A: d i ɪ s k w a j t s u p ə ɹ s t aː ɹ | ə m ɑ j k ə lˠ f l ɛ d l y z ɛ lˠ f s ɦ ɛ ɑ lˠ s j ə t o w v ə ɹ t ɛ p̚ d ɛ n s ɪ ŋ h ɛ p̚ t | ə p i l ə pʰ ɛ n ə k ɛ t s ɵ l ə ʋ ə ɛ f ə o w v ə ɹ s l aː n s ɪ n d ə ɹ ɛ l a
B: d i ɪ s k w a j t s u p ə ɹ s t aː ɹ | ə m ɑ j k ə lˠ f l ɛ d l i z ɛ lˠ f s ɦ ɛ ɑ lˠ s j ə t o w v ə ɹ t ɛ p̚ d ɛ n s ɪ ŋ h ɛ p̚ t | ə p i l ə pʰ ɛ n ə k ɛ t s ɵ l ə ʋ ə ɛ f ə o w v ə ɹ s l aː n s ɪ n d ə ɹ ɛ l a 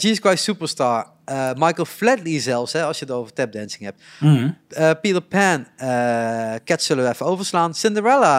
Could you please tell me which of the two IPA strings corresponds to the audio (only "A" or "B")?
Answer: B